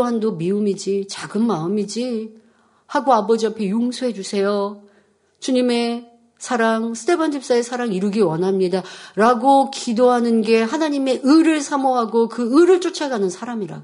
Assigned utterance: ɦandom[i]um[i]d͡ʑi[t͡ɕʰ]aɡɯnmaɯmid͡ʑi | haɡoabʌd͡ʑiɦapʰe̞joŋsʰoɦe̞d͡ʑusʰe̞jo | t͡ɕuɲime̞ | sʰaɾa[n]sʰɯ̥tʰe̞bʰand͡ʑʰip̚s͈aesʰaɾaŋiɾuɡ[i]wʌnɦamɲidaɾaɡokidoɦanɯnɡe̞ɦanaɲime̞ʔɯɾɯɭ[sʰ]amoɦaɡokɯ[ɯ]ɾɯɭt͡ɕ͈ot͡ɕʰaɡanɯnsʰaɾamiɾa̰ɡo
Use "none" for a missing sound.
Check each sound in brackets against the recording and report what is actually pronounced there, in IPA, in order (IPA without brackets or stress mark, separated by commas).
i, i, t͡ɕ, ŋ, i, sʰ, ɯ